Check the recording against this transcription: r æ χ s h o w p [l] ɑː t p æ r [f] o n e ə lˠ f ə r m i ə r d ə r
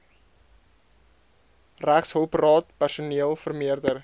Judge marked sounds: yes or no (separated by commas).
no, no